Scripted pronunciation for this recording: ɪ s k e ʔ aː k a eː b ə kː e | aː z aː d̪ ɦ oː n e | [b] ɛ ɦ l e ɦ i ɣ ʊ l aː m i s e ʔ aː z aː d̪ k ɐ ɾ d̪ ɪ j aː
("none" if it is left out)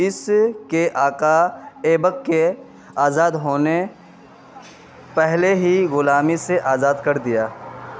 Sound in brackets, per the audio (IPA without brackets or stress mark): p